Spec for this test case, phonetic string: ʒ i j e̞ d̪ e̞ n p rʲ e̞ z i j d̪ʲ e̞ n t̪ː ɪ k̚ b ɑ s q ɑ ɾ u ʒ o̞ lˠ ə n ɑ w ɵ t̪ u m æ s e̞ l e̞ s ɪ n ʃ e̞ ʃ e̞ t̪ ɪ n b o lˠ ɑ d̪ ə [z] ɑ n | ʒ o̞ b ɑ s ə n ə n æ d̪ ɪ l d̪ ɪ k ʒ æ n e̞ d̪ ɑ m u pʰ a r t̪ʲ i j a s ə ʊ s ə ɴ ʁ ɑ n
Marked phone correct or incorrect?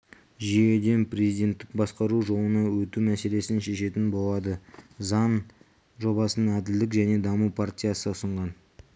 correct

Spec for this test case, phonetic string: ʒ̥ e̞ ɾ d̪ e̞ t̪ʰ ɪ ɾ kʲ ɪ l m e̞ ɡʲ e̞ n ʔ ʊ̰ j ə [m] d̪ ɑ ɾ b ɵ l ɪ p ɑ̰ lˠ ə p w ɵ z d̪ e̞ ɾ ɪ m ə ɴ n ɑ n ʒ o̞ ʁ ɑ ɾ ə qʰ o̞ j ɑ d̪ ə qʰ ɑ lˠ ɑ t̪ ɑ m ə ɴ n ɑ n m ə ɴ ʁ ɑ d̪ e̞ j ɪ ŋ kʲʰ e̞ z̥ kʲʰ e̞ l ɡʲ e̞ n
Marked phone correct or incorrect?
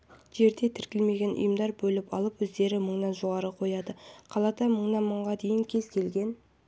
correct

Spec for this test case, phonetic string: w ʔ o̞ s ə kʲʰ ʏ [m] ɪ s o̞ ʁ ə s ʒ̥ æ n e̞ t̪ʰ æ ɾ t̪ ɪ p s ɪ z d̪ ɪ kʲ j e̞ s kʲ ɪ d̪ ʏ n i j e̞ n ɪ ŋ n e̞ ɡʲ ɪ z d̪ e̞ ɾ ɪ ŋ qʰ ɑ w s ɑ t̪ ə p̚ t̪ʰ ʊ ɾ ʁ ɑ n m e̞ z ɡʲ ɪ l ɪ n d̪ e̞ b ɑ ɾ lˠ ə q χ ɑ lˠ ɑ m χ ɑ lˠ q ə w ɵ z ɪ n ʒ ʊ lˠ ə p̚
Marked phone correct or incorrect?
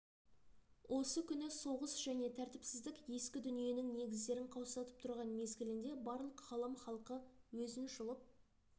incorrect: n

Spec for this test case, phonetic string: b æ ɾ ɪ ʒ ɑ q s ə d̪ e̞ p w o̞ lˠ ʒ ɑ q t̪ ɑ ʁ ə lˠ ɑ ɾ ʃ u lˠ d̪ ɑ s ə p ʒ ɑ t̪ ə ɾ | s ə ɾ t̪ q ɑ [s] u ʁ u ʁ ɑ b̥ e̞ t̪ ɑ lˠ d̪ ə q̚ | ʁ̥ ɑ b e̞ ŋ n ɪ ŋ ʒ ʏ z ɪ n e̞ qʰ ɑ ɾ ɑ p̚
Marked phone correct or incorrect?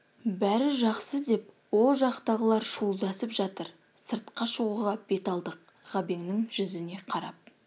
incorrect: ʃ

